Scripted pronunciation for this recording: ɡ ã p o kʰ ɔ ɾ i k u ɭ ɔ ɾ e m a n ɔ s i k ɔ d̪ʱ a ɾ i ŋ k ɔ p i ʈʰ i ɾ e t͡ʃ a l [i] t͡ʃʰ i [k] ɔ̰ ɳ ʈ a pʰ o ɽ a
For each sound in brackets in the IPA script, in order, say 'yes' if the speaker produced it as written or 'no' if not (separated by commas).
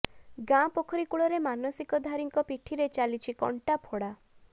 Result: yes, yes